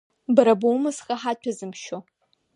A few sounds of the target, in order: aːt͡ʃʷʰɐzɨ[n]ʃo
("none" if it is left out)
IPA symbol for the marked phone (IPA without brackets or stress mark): m